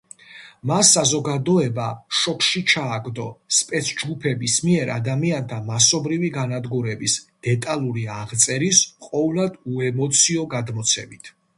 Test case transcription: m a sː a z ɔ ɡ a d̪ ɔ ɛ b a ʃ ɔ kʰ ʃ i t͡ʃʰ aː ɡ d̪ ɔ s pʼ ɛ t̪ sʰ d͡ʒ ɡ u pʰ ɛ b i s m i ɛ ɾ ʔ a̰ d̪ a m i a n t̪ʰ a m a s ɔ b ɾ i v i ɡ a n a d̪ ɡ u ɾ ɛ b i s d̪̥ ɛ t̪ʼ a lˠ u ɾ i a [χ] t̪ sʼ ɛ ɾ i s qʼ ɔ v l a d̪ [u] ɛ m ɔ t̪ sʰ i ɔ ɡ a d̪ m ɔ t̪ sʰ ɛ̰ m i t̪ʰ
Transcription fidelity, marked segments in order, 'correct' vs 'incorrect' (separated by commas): incorrect, correct